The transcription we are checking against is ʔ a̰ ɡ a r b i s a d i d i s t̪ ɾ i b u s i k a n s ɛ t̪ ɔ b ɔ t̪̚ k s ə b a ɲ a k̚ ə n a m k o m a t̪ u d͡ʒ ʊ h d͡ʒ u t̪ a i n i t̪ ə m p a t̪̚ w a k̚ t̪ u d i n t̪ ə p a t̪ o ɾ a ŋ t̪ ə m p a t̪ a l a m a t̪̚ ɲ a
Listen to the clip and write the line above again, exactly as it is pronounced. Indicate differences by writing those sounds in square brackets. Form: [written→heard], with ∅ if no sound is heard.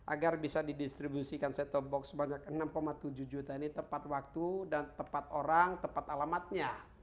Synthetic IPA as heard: ʔ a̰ ɡ a r b i s a d i d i s t̪ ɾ i b u s i k a n s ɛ t̪ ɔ b ɔ [t̪̚→∅] k s ə b a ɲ a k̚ ə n a m k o m a t̪ u d͡ʒ [ʊ→u] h d͡ʒ u t̪ a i n i t̪ ə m p a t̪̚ w a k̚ t̪ u d [i→a] n t̪ ə p a t̪ o ɾ a ŋ t̪ ə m p a t̪ a l a m a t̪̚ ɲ a